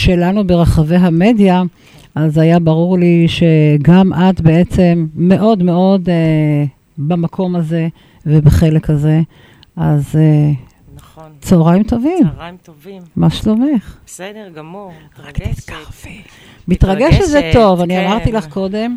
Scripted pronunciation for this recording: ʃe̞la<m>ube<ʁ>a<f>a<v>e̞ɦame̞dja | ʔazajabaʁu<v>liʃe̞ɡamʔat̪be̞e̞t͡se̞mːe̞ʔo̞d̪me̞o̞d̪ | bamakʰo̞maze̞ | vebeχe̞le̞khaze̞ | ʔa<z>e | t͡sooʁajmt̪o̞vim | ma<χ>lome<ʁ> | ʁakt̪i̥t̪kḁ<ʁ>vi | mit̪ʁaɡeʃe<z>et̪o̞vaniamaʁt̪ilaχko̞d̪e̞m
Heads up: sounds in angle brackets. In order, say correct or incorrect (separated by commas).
incorrect, correct, incorrect, correct, incorrect, correct, incorrect, incorrect, correct, correct